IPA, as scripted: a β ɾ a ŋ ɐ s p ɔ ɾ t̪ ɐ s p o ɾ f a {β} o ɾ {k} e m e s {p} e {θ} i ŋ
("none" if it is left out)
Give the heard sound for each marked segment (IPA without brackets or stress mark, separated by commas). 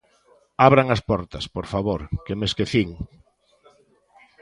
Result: β, k, k, θ